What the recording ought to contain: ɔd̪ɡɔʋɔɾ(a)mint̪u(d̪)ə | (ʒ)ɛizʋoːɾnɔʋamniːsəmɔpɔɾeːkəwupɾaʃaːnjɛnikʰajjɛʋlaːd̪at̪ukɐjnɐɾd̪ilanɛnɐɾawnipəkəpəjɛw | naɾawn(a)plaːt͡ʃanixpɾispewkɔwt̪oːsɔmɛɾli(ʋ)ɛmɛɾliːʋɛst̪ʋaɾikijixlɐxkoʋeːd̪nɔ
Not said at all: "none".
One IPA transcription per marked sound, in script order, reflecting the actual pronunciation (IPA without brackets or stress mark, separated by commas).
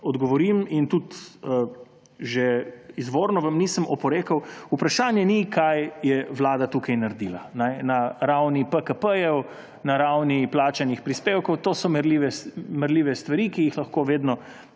i, t̪, ʒ, i, ʋ